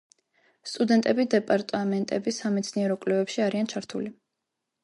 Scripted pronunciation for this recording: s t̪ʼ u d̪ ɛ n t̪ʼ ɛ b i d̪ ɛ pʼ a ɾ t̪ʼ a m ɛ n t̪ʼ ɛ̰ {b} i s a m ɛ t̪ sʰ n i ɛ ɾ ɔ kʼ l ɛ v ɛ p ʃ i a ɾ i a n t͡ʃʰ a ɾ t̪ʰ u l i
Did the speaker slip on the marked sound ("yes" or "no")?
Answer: no